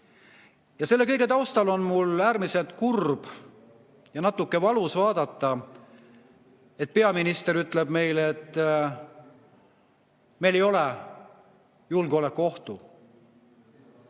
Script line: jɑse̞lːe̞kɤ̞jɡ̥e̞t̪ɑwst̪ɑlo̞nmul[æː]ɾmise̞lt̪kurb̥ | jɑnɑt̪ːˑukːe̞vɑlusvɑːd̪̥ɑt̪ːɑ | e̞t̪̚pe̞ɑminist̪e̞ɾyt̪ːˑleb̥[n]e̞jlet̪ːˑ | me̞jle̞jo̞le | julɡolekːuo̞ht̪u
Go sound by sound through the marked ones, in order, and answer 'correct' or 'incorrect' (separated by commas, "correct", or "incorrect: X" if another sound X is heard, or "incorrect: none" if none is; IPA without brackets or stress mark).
correct, incorrect: m